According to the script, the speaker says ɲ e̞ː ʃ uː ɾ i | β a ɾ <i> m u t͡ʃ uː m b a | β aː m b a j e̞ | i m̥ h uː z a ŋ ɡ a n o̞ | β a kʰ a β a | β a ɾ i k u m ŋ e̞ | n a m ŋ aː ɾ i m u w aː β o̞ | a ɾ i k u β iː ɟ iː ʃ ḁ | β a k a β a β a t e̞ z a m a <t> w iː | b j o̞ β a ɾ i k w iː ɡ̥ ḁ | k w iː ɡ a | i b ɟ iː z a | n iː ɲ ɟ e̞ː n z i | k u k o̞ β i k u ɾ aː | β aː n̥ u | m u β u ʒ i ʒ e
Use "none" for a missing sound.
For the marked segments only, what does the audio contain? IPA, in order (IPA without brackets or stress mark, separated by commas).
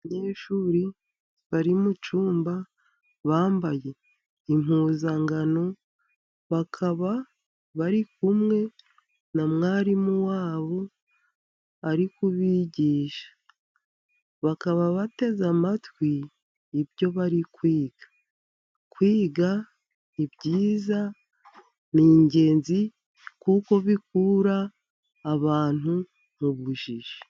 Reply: i, t